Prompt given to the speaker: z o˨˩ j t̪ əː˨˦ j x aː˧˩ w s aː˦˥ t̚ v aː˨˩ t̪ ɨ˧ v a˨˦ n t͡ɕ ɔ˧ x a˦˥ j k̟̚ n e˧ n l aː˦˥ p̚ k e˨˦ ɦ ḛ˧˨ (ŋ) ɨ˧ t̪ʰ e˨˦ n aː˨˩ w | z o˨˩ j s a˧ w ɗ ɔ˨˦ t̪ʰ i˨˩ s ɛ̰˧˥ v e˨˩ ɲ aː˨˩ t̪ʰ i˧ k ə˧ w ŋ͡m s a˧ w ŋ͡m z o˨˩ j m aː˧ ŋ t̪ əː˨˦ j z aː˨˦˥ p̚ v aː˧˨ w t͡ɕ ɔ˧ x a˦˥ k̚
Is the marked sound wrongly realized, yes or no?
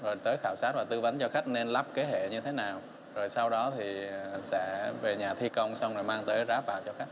yes